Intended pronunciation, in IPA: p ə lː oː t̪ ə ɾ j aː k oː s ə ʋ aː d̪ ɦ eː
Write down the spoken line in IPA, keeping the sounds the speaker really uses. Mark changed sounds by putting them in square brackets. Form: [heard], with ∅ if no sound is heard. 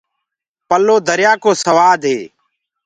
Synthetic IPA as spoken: p ə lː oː [d̪] ə ɾ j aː k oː s ə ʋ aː d̪ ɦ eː